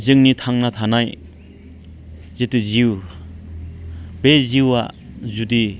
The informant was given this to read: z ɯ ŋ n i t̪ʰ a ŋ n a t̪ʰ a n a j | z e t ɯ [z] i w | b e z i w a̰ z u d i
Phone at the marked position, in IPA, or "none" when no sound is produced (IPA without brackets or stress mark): z